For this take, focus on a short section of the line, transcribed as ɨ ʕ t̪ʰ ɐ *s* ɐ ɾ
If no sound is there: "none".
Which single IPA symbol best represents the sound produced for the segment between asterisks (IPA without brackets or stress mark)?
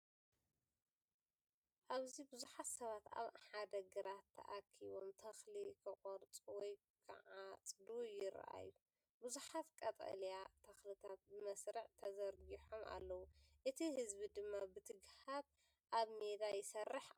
z